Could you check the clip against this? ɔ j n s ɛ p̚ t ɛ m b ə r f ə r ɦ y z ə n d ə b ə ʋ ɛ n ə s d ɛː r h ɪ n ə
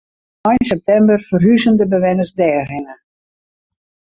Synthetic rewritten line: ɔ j n s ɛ p̚ t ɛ m b ə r f ə r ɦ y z ə n d ə b ə ʋ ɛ n ə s d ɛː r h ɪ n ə